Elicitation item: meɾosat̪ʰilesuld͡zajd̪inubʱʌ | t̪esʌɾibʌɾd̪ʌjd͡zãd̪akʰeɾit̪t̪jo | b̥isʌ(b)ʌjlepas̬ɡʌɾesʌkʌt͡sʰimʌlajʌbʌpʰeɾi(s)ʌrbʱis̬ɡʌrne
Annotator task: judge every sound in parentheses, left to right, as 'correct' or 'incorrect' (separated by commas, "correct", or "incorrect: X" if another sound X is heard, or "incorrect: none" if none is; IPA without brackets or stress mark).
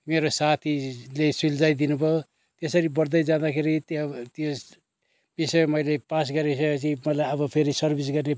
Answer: incorrect: m, correct